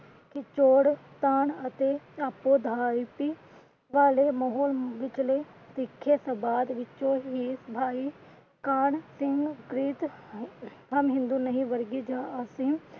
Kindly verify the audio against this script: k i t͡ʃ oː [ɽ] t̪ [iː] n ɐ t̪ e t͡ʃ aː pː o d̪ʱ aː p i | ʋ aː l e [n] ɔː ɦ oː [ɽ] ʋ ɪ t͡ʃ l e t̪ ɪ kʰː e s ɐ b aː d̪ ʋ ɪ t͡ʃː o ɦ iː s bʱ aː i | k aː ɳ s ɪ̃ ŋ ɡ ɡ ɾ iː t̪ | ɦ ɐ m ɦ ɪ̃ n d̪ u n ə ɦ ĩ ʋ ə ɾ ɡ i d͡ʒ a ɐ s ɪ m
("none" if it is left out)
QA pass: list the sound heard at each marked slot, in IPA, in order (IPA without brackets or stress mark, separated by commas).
ɽ, aː, m, l